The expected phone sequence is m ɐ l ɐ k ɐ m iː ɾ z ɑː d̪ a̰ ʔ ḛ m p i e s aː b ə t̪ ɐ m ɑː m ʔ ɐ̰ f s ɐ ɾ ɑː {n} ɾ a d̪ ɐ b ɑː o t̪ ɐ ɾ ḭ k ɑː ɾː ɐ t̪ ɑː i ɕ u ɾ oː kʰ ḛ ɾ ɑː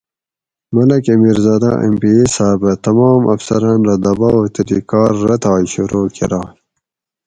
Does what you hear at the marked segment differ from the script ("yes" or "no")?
no